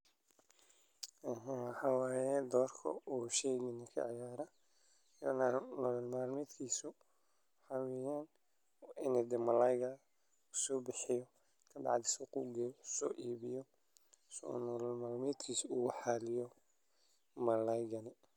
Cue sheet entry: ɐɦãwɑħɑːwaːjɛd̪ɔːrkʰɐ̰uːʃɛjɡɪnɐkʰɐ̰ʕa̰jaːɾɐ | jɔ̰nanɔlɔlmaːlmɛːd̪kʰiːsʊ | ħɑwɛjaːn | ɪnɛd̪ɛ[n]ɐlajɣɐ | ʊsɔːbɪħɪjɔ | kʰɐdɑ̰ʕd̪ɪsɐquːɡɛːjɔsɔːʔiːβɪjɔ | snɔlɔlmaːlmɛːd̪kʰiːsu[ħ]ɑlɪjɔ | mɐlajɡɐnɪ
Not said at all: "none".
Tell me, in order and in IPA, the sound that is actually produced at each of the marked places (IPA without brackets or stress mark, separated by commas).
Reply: m, ħ